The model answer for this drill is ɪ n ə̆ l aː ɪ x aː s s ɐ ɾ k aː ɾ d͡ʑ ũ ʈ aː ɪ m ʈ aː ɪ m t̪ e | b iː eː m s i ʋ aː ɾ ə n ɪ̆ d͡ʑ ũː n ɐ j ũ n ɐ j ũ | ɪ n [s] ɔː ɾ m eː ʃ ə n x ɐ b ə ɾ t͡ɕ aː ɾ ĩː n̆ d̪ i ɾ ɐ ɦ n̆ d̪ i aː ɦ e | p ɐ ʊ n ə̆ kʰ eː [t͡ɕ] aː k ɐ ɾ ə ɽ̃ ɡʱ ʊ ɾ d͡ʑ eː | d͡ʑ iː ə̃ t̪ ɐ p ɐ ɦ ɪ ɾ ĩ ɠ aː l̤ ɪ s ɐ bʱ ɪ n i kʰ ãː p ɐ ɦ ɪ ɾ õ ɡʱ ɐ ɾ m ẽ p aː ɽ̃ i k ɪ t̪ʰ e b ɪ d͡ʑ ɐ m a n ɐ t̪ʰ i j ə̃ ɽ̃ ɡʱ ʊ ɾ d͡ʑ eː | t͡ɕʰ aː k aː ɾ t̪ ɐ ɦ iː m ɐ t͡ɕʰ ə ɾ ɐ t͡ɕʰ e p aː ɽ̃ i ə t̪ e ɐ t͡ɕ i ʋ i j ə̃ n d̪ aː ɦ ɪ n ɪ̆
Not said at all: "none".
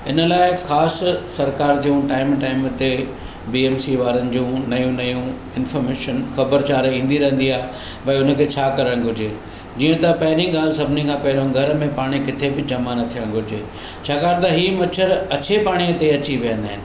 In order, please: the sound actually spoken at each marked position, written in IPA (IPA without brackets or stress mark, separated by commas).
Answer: f, t͡ɕʰ